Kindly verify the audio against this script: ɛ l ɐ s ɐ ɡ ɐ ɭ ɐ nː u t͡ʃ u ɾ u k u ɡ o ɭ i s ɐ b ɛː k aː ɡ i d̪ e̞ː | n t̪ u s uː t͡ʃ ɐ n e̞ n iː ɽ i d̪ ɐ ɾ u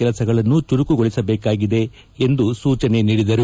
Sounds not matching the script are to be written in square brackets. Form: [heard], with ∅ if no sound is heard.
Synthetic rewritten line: ɛ l ɐ s ɐ ɡ ɐ ɭ ɐ nː u t͡ʃ u ɾ u k u ɡ o ɭ i s ɐ b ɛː k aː ɡ i d̪ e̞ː | n [d̪] u s uː t͡ʃ ɐ n e̞ n iː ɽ i d̪ ɐ ɾ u